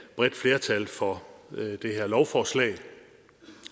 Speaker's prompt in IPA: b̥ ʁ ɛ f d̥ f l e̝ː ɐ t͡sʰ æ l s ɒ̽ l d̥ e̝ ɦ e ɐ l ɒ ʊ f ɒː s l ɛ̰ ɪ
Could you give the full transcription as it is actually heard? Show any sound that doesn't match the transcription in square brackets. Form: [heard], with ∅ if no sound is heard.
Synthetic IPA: b̥ ʁ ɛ [∅] d̥ f l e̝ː ɐ t͡sʰ æ l [f] ɒ̽ [∅] d̥ e̝ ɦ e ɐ l ɒ ʊ f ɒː s l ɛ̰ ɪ